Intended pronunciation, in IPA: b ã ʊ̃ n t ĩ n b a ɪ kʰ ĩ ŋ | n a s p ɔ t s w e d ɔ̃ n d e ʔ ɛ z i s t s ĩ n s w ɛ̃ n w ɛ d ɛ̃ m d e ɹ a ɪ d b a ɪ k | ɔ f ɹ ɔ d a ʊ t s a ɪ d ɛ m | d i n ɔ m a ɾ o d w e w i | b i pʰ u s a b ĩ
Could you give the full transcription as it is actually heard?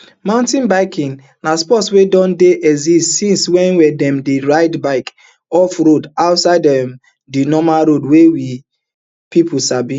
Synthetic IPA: m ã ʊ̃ n t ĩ n b a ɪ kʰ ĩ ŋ | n a s p ɔ t s w e d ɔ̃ n d e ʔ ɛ z i s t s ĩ n s w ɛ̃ n w ɛ d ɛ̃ m d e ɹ a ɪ d b a ɪ k | ɔ f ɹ o d a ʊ t s a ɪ d ɛ m | d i n ɔ m a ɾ o d w e w i | p i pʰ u s a b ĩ